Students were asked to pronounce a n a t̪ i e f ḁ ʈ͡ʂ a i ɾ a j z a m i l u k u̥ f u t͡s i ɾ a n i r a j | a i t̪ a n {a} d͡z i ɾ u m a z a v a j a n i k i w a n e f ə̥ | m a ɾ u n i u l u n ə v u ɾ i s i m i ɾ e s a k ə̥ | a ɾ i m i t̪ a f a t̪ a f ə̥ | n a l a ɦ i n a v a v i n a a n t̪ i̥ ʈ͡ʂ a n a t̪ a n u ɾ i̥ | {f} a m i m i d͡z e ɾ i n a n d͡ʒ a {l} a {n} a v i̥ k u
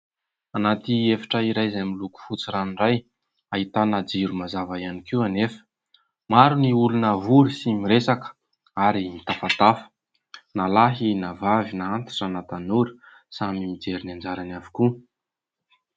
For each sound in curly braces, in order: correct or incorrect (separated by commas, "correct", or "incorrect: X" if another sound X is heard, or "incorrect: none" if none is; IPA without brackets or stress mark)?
correct, incorrect: s, incorrect: ɾ, correct